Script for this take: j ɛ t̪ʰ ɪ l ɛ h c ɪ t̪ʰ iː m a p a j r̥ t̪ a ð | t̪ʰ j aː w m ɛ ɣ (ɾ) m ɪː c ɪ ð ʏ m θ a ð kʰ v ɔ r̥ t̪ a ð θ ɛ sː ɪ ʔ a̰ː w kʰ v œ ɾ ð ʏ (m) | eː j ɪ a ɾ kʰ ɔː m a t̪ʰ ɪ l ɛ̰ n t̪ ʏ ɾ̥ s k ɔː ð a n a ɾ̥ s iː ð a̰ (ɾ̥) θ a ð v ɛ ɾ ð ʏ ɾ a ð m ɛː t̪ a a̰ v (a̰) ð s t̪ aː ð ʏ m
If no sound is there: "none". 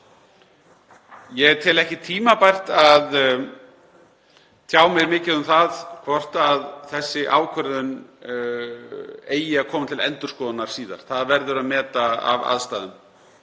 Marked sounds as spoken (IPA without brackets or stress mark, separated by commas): ɾ, n, ɾ̥, a̰